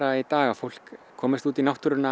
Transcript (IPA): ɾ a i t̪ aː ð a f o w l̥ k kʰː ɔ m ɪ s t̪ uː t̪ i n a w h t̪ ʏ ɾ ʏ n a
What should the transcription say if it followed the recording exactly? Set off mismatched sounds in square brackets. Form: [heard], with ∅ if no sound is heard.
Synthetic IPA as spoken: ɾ a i t̪ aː [ɣ] a f o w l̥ k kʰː [ɔː] m ɪ s t̪ uː t̪ i n a w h t̪ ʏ ɾ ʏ n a